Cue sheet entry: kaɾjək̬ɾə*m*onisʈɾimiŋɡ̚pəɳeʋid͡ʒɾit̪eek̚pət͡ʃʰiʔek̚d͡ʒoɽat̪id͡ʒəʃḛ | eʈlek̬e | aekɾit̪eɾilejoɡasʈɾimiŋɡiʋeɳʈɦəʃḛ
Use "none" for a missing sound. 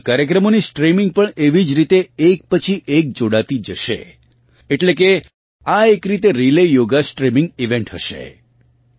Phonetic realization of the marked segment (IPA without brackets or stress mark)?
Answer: m